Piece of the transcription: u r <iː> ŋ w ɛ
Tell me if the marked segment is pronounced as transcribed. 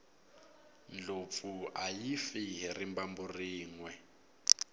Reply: yes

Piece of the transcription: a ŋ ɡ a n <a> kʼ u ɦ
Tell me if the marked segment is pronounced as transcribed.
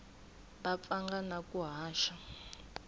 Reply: yes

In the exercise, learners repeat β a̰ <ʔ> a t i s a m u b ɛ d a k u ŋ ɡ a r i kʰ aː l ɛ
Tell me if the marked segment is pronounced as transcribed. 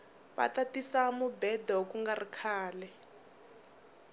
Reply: no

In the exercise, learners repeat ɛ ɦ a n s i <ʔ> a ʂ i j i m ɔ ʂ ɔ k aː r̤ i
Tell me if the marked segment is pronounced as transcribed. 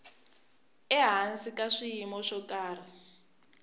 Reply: no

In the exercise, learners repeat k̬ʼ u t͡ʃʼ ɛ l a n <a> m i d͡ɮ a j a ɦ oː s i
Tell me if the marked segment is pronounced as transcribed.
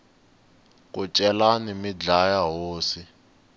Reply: no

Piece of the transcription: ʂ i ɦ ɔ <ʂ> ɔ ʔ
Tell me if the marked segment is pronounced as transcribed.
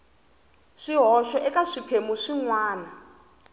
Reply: no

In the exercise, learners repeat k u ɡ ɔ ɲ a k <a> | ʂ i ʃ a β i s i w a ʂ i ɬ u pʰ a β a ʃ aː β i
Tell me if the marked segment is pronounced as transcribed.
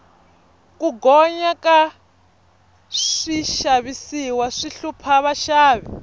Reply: yes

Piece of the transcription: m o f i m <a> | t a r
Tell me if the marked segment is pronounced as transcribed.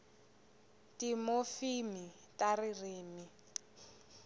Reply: no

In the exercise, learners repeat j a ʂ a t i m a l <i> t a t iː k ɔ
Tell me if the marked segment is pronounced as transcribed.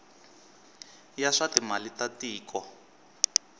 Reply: yes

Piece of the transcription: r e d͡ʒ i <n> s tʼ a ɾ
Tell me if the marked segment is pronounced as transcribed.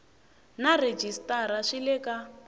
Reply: no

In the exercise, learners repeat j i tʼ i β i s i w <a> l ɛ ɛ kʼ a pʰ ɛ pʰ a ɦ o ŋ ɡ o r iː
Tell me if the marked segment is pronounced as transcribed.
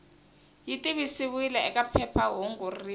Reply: no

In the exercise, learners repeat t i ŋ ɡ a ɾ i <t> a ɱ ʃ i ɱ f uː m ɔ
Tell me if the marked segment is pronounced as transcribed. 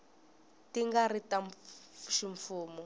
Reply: yes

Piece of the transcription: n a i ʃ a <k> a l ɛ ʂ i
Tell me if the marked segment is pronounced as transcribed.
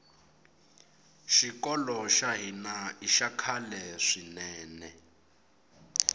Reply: no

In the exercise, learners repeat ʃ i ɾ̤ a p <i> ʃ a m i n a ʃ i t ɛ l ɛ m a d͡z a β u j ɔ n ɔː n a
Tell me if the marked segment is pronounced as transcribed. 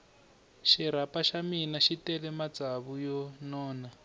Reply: no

